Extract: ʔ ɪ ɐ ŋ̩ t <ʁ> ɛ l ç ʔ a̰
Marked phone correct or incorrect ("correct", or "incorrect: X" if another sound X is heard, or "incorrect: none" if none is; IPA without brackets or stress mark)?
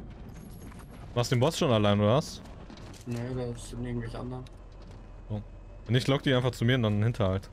incorrect: v